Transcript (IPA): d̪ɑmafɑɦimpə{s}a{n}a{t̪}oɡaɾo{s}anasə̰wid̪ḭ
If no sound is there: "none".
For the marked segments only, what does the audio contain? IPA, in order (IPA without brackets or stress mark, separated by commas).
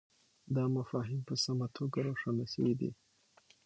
s, m, t̪ʰ, ʂ